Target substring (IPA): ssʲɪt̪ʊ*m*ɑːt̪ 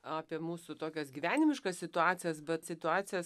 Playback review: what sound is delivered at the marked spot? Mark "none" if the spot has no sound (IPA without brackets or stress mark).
none